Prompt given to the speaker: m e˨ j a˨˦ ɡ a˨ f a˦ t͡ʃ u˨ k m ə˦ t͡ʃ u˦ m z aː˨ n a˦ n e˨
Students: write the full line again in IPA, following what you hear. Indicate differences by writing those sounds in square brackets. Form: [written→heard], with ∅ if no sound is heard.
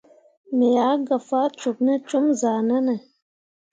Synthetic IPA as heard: m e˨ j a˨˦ ɡ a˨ f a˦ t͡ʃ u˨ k [m→n] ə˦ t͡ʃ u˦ m z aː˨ n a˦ n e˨

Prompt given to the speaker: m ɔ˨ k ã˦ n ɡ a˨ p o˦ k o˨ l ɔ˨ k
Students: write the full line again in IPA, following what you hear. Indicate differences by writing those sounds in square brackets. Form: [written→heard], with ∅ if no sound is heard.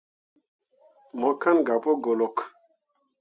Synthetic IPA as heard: m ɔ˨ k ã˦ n ɡ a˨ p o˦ [k→ɡ] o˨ l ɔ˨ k

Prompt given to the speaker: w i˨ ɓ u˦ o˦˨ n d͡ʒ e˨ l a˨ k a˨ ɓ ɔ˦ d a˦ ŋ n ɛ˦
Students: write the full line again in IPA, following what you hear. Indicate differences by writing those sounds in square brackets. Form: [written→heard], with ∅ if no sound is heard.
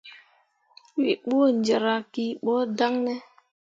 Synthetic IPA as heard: w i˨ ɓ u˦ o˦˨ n d͡ʒ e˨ [l→ɾ] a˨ k [a˨→i˨] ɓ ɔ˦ d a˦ ŋ n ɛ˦

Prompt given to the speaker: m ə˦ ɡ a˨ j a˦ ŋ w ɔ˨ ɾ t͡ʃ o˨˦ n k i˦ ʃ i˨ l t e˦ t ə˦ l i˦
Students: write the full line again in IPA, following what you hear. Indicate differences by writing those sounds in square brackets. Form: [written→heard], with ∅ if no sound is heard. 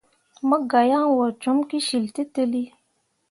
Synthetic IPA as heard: m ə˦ ɡ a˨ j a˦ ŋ w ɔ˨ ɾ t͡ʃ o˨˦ [n→m] k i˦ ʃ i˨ l t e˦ t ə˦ l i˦

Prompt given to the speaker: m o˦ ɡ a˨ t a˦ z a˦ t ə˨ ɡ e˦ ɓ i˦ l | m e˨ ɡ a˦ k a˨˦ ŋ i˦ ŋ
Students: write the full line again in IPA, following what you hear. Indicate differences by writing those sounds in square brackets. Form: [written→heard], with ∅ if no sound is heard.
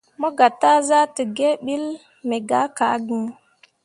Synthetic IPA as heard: m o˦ ɡ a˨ t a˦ z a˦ t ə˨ ɡ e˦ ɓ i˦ l | m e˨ ɡ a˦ k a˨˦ [ŋ→ɡ] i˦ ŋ

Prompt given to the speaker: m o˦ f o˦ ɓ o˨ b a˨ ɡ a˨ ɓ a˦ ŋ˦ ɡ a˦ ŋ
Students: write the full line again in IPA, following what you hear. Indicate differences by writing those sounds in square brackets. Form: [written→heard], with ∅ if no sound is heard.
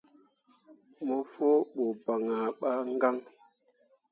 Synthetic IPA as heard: m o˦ f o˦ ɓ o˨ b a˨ [ɡ→ŋ] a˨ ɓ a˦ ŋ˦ ɡ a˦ ŋ

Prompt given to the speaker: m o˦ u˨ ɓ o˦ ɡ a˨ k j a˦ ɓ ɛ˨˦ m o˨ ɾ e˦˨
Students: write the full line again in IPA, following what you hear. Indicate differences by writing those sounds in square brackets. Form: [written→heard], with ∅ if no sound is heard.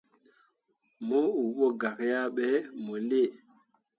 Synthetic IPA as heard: m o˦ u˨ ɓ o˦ ɡ a˨ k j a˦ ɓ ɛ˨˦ m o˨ [ɾ→l] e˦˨

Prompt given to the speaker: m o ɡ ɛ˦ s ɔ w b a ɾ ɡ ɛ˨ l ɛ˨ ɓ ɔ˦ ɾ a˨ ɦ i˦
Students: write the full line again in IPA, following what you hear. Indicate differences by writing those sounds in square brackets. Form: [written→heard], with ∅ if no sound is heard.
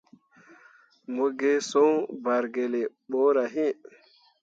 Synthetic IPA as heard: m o ɡ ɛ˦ s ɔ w b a ɾ ɡ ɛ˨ l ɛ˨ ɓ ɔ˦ ɾ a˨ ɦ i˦

